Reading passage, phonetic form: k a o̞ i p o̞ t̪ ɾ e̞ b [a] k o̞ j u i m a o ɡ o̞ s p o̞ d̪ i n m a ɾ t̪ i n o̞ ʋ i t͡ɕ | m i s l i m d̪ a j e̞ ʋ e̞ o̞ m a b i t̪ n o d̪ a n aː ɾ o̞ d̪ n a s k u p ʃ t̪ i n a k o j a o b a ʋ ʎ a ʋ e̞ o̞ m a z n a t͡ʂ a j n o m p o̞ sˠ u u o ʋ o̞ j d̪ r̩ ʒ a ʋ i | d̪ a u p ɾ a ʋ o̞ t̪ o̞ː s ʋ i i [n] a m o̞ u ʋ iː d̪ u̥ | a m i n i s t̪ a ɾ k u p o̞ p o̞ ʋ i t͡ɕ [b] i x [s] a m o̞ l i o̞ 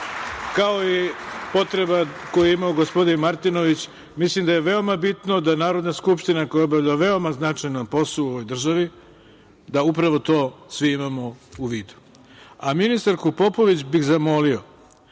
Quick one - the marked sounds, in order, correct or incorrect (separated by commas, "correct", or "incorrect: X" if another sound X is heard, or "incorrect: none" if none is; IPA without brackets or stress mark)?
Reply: correct, incorrect: m, correct, incorrect: z